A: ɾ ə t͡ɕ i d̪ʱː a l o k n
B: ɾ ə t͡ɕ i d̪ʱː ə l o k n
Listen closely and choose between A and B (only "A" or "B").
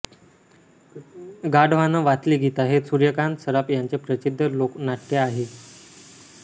B